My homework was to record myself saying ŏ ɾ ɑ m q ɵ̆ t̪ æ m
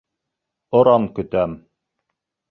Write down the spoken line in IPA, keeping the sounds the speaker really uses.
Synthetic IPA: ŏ ɾ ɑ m k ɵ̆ t̪ æ m